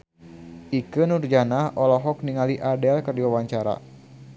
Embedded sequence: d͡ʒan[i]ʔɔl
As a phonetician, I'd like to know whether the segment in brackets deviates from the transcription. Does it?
yes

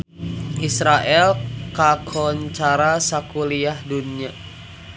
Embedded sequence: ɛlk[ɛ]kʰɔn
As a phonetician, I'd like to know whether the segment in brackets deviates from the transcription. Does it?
yes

